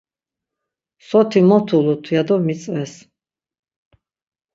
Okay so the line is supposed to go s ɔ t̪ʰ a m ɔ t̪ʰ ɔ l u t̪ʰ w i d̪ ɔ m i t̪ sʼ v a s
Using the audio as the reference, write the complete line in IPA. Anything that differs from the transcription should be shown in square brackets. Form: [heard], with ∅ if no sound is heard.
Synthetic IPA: s ɔ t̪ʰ [i] m ɔ t̪ʰ [u] l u t̪ʰ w [a] d̪ ɔ m i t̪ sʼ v [ɛ] s